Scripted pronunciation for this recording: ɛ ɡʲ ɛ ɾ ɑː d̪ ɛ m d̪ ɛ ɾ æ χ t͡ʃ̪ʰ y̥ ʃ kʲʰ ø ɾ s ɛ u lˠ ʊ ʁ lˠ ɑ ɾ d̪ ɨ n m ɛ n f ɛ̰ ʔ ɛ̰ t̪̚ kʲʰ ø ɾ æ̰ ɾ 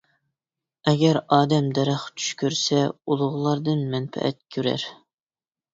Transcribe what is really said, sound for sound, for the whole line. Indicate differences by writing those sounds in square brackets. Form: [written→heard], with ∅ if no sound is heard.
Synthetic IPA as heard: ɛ ɡʲ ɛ ɾ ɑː d̪ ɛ m d̪ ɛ ɾ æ χ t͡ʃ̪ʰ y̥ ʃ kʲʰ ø ɾ s ɛ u lˠ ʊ ʁ lˠ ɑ ɾ d̪ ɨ n m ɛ n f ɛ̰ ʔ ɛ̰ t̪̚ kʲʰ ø ɾ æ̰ ɾ

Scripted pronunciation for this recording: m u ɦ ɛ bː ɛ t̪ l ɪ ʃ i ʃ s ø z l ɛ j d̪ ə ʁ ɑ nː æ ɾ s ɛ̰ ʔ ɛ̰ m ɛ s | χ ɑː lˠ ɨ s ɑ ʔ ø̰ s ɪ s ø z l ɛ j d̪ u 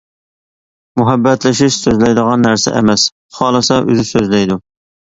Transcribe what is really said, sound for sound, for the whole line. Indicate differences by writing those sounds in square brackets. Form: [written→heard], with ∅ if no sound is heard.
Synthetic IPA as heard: m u ɦ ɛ bː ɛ t̪ l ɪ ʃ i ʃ s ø z l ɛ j d̪ ə ʁ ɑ nː æ ɾ s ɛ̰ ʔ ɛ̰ m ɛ s | χ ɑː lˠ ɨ s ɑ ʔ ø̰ [s→z] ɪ s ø z l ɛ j d̪ u

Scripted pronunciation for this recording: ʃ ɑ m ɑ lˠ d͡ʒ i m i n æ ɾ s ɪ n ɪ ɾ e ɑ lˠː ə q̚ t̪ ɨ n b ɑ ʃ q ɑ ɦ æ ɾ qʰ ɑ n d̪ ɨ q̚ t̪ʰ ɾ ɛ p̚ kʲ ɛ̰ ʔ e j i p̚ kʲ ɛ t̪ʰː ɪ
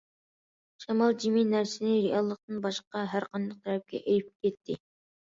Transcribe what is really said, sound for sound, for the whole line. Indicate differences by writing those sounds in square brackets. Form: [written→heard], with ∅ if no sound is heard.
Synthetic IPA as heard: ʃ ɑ m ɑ lˠ d͡ʒ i m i n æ ɾ s ɪ n ɪ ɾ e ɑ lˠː ə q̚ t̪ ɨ n b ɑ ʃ q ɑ ɦ æ ɾ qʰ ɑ n d̪ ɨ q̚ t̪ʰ ɾ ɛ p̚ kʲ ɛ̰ ʔ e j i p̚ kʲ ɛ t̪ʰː ɪ

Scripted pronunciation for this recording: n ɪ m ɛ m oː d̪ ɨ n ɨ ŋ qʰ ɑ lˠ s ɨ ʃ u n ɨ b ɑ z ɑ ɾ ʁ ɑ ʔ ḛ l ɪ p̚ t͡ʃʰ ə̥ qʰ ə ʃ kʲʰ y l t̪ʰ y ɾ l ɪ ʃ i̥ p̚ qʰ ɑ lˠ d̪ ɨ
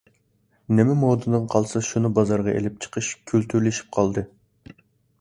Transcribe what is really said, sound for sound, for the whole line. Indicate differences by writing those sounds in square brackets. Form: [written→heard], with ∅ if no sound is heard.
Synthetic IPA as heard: n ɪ m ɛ m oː d̪ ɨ n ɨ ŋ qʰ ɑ lˠ s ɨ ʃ u n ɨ b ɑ z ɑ ɾ ʁ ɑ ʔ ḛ l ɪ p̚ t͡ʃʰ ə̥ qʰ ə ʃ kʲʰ y l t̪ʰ y ɾ l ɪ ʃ i̥ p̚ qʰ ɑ lˠ d̪ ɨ

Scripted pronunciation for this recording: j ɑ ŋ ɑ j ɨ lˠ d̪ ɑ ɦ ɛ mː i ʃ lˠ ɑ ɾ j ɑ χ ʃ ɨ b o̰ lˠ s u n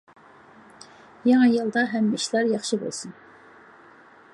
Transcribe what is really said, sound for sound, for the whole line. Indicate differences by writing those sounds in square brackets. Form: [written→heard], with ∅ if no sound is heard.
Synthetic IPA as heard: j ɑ ŋ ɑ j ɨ lˠ d̪ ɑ ɦ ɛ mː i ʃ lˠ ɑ ɾ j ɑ χ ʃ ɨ b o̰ lˠ s u n

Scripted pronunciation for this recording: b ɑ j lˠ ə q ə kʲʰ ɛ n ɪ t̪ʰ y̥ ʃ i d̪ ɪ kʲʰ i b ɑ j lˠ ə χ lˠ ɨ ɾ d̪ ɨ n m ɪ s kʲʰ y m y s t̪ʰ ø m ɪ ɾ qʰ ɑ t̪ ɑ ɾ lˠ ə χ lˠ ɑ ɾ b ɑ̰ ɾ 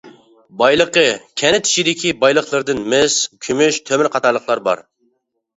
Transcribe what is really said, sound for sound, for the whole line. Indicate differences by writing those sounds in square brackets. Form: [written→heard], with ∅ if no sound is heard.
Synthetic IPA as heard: b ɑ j lˠ ə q ə kʲʰ ɛ n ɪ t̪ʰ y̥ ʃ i d̪ ɪ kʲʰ i b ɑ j lˠ ə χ lˠ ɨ ɾ d̪ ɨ n m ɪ s kʲʰ y m y [s→ʃ] t̪ʰ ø m ɪ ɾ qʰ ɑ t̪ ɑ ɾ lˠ ə χ lˠ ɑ ɾ b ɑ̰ ɾ

